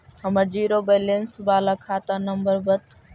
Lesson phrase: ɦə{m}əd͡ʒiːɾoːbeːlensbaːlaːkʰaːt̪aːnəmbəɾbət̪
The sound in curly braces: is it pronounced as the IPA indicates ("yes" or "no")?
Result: yes